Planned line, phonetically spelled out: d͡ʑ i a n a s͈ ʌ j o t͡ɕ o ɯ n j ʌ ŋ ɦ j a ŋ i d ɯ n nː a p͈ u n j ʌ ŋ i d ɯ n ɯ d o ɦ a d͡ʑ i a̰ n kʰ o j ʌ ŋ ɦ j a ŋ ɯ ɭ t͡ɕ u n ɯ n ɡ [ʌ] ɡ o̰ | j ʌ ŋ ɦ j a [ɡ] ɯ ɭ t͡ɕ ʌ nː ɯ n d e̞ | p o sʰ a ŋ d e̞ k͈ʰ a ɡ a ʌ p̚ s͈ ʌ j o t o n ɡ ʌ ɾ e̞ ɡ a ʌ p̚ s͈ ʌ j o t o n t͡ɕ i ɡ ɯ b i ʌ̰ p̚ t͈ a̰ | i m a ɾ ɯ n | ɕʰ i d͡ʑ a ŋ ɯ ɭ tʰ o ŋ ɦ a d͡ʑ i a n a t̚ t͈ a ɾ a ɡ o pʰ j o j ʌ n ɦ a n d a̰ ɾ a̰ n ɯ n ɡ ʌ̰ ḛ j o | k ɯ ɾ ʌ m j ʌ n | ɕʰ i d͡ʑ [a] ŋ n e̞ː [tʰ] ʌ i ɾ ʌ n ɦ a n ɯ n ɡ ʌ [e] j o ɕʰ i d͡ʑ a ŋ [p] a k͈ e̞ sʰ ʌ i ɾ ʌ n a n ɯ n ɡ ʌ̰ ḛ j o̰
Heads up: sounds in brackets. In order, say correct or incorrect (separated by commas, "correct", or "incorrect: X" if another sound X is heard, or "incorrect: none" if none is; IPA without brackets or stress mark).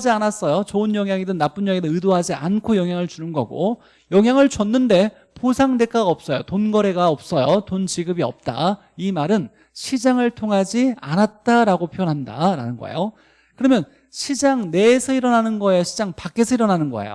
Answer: correct, incorrect: ŋ, correct, incorrect: sʰ, correct, correct